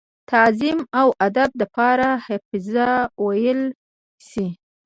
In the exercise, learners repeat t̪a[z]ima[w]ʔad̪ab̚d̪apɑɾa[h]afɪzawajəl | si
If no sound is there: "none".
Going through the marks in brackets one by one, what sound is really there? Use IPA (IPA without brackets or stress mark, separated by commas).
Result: z, w, h